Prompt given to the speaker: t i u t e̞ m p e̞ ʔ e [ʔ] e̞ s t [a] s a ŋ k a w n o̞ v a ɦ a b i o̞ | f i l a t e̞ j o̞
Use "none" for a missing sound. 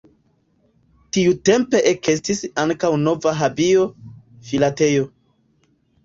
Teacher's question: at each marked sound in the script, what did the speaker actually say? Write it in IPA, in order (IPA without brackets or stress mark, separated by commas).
k, i